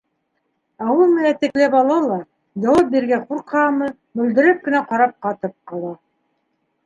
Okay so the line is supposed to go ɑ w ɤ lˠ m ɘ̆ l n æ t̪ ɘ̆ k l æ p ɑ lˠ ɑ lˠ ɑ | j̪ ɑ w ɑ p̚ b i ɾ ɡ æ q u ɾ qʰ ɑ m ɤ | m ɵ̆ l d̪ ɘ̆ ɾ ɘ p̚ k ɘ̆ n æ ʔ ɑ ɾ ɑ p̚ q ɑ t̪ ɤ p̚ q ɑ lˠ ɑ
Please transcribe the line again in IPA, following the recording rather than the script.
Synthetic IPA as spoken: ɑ w ɤ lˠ m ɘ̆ n æ t̪ ɘ̆ k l æ p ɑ lˠ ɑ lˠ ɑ | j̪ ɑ w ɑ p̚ b i ɾ ɡ æ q u ɾ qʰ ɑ m ɤ | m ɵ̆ l d̪ ɘ̆ ɾ ɘ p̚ k ɘ̆ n æ q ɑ ɾ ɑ p̚ q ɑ t̪ ɤ p̚ q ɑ lˠ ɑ